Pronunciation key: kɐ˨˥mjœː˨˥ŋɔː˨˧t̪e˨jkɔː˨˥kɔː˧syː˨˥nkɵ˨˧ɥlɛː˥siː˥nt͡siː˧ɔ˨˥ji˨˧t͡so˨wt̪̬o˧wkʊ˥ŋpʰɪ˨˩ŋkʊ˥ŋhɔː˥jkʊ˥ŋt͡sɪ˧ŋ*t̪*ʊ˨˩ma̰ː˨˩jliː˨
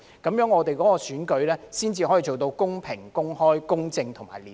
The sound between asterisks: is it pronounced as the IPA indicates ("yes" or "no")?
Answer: no